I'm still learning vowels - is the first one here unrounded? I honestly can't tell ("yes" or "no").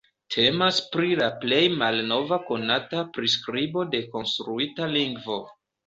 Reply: yes